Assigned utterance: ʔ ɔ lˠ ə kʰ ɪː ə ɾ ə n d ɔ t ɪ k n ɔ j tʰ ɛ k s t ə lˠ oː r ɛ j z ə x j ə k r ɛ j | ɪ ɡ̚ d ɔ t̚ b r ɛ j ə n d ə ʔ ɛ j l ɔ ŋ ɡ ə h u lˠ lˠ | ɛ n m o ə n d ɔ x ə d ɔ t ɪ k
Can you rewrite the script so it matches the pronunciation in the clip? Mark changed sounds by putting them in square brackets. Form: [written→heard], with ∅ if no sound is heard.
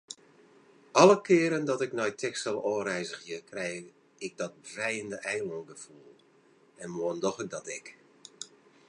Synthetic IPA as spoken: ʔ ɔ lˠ ə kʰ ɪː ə ɾ ə n d ɔ t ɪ k n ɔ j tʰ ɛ k s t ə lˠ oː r ɛ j z ə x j ə k r ɛ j | ɪ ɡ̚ d ɔ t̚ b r ɛ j ə n d ə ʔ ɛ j l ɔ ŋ ɡ ə [h→f] u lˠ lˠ | ɛ n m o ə n d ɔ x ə d ɔ t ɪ k